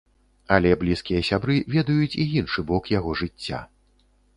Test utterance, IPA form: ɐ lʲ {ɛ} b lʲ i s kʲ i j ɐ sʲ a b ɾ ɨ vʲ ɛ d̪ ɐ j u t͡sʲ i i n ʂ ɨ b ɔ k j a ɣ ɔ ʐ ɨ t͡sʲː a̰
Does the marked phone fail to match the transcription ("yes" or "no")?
no